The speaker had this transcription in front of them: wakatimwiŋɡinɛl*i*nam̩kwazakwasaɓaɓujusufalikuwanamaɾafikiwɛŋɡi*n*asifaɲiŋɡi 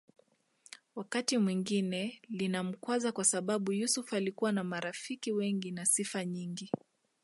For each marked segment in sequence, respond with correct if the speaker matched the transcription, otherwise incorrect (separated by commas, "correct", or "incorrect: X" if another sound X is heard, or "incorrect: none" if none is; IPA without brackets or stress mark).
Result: correct, correct